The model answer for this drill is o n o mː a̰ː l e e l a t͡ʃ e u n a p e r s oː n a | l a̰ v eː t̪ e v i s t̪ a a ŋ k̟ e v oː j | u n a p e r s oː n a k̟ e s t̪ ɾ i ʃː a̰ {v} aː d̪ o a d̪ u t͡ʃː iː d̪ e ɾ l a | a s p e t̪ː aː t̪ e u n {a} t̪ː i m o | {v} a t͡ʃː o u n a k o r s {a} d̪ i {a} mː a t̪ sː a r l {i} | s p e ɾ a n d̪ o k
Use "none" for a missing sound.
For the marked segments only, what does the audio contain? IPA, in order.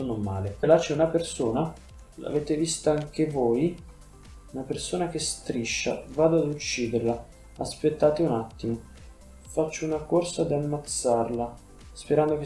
v, a, f, a, a, a

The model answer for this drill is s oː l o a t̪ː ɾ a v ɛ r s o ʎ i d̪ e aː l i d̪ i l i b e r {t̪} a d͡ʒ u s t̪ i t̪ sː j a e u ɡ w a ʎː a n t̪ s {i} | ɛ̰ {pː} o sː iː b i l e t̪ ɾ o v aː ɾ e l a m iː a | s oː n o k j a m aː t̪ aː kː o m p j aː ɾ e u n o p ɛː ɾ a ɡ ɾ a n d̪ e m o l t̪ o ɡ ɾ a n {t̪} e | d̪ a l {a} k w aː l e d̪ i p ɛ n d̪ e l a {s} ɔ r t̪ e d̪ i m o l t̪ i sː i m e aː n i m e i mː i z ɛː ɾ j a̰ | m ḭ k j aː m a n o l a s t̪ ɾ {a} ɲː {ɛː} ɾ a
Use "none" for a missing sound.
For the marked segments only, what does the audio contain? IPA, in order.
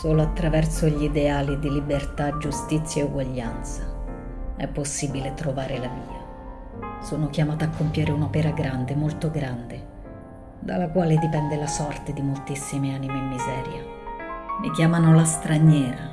t̪, a, pː, d̪, a, s, a, ɛː

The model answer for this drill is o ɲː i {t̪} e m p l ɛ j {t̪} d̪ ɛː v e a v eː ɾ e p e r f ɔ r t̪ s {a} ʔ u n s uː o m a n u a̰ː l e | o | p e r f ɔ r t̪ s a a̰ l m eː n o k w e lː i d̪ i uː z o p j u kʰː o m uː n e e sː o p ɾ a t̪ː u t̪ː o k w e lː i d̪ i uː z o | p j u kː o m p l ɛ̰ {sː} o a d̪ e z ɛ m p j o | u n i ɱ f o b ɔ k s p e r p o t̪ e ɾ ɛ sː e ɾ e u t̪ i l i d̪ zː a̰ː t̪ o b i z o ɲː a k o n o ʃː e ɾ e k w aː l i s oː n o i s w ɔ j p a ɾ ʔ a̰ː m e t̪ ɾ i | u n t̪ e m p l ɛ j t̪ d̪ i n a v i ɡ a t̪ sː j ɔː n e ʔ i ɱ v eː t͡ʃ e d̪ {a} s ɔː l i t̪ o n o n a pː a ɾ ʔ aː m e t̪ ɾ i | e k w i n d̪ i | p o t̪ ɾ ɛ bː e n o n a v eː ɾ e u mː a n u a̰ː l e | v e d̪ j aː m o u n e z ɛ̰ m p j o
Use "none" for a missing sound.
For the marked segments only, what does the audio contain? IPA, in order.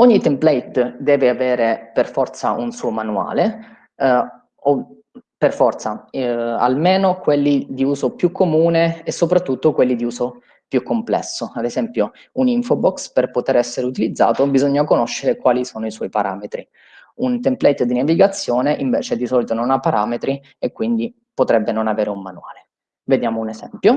t̪, t̪, a, sː, i

